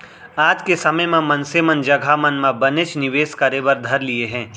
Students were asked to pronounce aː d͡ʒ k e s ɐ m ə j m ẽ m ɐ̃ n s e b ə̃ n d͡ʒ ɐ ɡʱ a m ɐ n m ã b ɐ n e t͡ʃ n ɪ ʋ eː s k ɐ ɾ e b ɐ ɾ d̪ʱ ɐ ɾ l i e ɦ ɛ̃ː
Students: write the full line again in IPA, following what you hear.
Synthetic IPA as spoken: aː d͡ʒ k e s ɐ m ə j m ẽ m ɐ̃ n s e m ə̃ n d͡ʒ ɐ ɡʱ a m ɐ n m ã b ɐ n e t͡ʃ n ɪ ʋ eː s k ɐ ɾ e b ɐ ɾ d̪ʱ ɐ ɾ l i e ɦ ɛ̃ː